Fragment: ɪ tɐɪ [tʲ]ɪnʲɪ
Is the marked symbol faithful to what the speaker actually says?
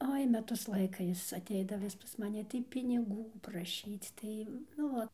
no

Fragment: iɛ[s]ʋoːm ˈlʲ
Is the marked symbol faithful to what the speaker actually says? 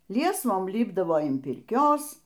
yes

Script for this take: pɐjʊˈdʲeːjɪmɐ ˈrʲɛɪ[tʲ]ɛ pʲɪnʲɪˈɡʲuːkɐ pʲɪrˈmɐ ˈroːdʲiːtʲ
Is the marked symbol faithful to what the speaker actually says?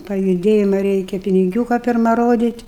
no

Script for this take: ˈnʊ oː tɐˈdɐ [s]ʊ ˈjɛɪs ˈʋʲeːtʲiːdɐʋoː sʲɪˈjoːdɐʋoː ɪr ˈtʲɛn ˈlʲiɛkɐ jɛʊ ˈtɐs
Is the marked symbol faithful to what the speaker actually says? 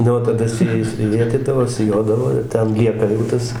yes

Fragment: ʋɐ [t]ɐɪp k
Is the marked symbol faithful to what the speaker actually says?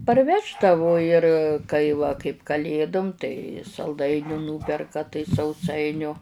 no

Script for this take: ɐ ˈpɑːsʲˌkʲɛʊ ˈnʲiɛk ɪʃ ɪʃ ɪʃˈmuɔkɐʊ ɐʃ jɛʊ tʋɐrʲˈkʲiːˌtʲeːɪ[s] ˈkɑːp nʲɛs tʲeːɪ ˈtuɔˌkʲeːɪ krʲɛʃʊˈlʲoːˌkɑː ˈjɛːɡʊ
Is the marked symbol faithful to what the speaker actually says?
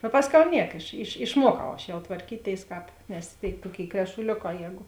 yes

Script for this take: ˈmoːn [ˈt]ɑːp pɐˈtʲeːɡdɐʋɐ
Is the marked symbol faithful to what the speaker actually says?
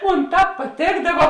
yes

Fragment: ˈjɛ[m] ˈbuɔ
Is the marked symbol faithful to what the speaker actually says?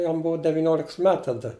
yes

